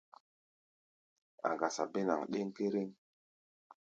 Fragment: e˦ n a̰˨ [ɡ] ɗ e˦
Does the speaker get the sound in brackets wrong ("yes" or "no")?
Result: yes